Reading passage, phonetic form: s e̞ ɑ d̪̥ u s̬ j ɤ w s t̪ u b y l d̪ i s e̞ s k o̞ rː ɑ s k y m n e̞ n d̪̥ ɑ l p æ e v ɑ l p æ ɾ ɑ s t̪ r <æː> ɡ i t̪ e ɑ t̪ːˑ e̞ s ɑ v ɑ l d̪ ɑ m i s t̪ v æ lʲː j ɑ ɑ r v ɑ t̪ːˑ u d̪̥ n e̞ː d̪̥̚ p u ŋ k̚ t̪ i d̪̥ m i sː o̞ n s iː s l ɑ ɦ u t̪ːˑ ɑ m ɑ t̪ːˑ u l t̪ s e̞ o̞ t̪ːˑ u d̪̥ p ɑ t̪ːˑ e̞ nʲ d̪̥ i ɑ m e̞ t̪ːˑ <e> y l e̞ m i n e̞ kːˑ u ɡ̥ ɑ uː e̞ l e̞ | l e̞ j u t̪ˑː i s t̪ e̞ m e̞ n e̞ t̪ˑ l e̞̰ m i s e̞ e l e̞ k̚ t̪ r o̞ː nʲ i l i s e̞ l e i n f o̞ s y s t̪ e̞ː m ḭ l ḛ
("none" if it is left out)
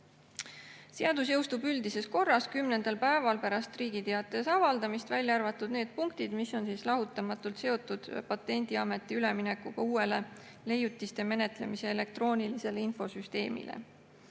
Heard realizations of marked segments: iː, i

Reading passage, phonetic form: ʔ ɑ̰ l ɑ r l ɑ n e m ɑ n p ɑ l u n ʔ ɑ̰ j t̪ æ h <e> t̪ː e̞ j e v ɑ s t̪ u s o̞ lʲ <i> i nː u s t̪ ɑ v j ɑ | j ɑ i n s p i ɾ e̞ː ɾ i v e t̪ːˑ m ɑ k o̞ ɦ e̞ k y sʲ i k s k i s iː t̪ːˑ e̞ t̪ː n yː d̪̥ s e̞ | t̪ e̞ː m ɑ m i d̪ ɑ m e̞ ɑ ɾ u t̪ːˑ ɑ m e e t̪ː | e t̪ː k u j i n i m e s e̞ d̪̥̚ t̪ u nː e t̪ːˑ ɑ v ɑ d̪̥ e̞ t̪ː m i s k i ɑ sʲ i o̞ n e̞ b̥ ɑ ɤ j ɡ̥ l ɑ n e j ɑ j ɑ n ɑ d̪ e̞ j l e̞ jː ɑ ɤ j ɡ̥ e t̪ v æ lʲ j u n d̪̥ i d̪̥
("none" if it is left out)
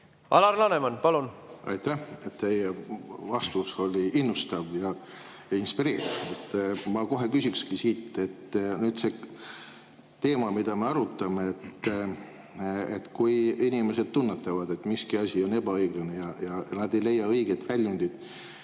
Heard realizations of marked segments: e, i

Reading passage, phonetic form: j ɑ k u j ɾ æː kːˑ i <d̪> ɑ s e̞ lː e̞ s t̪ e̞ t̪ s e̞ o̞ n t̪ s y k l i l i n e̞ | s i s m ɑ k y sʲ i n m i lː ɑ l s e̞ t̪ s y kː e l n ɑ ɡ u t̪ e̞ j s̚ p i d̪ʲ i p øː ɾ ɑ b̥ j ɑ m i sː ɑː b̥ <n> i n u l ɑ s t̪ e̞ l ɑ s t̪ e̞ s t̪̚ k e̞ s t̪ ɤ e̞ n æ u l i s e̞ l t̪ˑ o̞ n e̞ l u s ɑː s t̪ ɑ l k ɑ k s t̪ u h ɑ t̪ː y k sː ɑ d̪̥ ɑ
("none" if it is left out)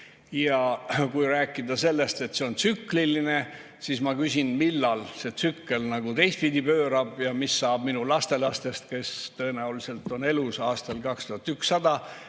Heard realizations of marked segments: d̪, m

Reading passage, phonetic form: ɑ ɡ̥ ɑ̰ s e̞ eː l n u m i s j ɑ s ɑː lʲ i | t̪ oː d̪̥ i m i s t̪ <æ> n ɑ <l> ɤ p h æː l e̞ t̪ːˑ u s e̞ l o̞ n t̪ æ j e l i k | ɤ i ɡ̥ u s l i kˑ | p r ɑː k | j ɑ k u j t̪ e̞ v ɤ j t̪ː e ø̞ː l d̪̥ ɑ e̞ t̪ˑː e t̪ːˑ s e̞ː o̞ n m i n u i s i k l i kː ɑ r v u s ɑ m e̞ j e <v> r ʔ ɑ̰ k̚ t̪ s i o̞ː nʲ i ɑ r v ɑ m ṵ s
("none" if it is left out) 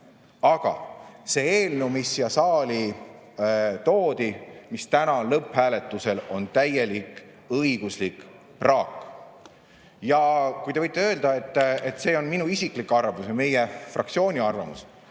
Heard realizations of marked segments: æ, l, f

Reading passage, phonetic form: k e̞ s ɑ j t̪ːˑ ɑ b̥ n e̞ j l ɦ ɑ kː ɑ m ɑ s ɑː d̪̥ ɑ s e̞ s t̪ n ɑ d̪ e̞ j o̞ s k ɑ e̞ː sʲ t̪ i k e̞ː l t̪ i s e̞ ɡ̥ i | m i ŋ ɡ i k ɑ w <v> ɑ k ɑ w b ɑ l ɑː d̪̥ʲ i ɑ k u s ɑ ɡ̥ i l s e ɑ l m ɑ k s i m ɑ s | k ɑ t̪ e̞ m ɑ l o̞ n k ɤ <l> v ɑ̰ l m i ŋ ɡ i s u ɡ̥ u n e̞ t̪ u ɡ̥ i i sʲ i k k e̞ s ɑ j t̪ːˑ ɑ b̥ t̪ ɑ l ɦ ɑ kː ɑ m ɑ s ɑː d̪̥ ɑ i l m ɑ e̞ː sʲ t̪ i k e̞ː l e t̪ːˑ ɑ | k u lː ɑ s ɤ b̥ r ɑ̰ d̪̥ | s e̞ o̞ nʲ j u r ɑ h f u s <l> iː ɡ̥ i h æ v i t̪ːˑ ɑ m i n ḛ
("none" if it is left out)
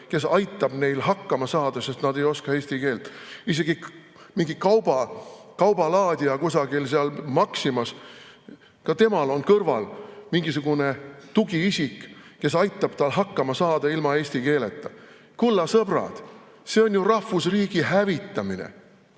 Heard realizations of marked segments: b, r, r

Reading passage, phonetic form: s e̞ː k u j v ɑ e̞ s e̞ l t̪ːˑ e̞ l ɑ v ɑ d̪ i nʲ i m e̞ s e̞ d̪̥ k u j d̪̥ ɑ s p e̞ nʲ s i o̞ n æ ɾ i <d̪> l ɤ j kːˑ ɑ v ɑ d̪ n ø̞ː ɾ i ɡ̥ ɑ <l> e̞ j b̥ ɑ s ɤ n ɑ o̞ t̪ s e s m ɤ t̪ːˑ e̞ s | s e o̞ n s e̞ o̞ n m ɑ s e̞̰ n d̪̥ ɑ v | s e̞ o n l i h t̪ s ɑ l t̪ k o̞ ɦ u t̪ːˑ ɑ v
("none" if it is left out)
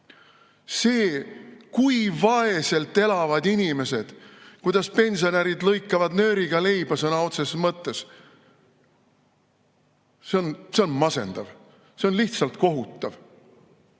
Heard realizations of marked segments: d̪, l

